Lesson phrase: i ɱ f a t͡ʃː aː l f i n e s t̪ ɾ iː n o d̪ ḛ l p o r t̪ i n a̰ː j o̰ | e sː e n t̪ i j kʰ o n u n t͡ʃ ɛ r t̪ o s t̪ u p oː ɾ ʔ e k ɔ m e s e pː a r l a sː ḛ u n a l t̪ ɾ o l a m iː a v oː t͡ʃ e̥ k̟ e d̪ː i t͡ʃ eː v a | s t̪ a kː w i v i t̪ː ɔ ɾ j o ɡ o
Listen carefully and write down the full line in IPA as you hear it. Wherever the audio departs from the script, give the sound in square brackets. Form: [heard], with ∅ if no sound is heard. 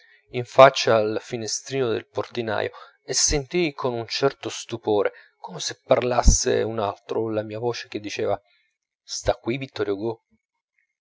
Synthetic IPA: i ɱ f a t͡ʃː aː l f i n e s t̪ ɾ iː n o d̪ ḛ l p o r t̪ i n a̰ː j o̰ | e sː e n t̪ i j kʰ o n u n t͡ʃ ɛ r t̪ o s t̪ u p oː ɾ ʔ e k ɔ m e s e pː a r l a sː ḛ u n a l t̪ ɾ o l a m iː a v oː t͡ʃ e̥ k̟ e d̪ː i t͡ʃ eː v a | s t̪ a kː w i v i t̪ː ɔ ɾ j o ɡ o